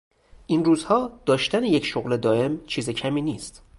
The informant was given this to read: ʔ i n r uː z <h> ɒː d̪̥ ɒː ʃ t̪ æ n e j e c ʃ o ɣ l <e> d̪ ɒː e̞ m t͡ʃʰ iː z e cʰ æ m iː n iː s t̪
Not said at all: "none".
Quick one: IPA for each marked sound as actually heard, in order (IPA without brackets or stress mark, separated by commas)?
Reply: h, e